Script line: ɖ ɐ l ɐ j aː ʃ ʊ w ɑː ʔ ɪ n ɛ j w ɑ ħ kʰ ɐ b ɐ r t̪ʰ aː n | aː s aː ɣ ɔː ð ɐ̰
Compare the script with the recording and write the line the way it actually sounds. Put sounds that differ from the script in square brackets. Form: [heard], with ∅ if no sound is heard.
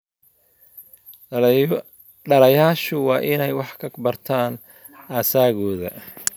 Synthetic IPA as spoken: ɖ ɐ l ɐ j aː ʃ ʊ w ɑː ʔ ɪ n ɛ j w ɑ ħ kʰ ɐ b ɐ r t̪ʰ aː n | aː s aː ɣ ɔː ð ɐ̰